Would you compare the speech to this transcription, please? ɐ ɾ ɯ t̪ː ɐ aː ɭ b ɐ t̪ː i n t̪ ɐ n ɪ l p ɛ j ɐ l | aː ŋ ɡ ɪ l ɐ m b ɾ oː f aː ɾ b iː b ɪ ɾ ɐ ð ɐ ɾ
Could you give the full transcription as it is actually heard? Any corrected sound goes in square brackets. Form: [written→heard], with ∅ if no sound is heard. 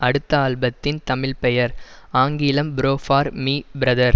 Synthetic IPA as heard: ɐ [ɾ→ɽ] ɯ t̪ː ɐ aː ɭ b ɐ t̪ː [i→ɪ] n t̪ ɐ [n→m] ɪ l p ɛ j ɐ [l→ɾ] | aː ŋ ɡ ɪ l ɐ m b ɾ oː f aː ɾ [b→m] iː b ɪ ɾ ɐ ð ɐ ɾ